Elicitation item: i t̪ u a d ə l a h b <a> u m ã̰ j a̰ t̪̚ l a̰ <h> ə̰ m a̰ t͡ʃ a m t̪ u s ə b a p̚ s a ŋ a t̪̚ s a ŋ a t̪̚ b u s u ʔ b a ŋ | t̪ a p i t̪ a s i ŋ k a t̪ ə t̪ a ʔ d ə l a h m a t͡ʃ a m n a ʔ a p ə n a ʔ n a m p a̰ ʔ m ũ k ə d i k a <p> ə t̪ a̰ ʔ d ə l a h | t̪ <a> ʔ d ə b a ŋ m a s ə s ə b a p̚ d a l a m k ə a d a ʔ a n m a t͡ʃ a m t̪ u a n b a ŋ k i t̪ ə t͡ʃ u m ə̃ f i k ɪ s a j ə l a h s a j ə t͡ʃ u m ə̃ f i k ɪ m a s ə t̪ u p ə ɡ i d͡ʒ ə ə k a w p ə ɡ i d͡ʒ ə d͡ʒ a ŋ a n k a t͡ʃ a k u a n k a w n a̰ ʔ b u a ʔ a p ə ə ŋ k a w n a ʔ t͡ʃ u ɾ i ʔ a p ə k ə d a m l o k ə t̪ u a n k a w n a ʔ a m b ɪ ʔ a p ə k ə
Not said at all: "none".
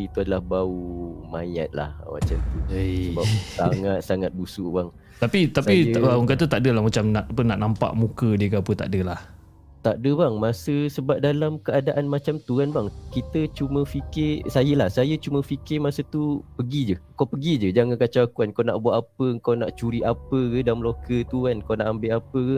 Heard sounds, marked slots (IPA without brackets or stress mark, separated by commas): a, h, p, a